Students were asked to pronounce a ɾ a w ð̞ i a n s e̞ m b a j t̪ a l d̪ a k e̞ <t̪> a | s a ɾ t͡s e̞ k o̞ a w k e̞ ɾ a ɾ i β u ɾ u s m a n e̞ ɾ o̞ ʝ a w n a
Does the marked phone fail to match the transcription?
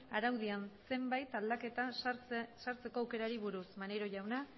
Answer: no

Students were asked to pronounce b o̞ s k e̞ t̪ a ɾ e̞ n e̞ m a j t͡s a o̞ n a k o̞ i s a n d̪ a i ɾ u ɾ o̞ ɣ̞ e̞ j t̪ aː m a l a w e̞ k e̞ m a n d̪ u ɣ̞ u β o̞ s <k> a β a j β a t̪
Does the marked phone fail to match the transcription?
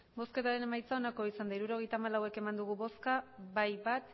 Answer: no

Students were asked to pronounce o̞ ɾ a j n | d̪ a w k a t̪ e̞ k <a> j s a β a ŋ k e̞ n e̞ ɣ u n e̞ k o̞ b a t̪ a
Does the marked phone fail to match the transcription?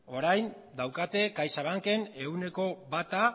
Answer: no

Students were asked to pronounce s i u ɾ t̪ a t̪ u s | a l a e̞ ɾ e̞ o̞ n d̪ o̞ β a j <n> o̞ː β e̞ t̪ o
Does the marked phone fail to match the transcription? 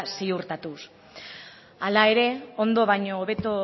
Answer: yes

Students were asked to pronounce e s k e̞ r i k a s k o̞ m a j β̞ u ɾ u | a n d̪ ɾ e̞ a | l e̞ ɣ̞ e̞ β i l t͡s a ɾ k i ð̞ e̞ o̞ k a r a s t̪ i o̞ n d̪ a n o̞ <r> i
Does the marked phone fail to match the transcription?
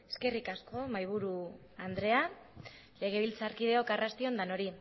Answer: yes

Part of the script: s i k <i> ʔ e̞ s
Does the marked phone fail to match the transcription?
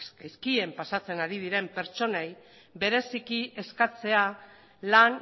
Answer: no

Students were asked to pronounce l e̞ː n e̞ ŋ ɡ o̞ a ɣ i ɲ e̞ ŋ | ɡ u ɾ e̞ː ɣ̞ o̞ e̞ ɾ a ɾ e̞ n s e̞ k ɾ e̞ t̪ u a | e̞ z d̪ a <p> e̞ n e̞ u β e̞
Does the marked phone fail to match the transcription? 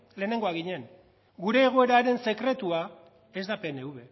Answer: no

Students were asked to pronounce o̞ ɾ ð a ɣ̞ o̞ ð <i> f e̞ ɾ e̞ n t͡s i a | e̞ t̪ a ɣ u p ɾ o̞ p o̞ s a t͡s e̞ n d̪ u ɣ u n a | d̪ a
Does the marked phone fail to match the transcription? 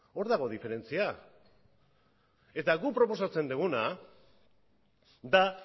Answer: no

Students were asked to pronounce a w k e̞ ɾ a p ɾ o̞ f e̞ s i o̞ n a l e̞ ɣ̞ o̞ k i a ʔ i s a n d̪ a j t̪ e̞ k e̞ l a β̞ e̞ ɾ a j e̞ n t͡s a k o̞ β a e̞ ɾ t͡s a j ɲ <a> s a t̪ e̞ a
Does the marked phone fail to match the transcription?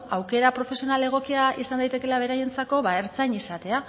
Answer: yes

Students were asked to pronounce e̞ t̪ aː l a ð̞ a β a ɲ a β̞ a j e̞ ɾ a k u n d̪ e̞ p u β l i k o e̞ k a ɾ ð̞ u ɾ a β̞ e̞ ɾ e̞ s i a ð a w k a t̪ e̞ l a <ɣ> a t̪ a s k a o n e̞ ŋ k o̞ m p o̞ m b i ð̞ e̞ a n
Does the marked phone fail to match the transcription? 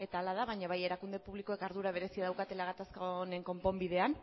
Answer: no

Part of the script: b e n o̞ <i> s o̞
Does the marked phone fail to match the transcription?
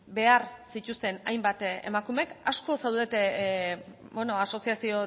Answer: yes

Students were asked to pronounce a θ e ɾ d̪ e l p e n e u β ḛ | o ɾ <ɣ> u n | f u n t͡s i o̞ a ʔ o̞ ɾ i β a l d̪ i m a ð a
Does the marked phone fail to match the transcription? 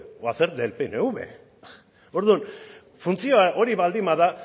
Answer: yes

